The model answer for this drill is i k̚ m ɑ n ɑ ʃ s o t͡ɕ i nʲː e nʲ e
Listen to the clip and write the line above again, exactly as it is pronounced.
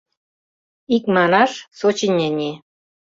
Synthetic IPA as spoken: i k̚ m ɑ n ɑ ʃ s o t͡ɕ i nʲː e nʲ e